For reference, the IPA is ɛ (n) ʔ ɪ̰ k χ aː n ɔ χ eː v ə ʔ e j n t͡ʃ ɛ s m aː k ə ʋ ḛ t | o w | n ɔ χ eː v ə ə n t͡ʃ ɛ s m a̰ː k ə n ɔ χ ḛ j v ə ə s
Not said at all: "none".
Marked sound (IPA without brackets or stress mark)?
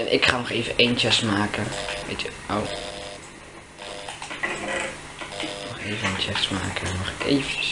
n